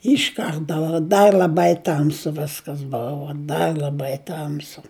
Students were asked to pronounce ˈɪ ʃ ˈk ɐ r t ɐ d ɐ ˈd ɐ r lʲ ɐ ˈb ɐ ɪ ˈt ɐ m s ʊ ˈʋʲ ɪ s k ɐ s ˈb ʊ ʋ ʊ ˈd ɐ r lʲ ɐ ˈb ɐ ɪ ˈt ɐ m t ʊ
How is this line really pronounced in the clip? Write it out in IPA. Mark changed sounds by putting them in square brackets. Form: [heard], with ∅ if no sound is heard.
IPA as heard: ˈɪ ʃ ˈk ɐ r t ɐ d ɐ ˈd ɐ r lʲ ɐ ˈb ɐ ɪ ˈt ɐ m s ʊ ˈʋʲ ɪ s k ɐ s ˈb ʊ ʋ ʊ ˈd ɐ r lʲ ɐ ˈb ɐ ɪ ˈt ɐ m [s] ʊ